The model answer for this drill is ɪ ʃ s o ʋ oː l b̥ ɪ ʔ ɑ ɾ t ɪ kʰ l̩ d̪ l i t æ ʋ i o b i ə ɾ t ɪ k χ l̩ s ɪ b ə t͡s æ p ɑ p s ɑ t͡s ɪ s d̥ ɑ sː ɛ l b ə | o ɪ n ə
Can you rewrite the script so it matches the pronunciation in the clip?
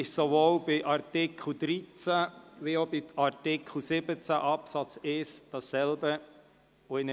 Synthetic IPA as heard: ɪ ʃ s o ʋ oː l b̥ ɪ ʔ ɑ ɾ t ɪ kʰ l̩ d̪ ɾ i t͡s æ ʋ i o b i ɑ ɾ t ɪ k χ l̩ s ɪ b ə t͡s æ ʔ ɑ p s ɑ t͡s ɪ s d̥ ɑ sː ɛ l b ə | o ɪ n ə